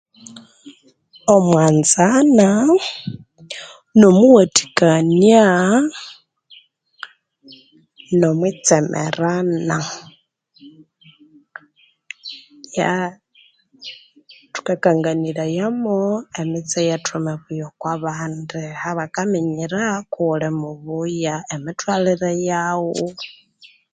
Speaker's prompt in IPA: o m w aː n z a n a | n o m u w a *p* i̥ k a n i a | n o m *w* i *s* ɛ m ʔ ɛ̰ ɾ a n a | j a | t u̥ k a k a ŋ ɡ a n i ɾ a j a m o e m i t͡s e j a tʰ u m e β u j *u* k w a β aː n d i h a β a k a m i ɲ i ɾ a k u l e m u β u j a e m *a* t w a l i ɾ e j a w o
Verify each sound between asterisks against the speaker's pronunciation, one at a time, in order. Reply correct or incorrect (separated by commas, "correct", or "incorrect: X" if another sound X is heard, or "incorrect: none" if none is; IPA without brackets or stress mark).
incorrect: t, correct, incorrect: t͡s, incorrect: o, incorrect: i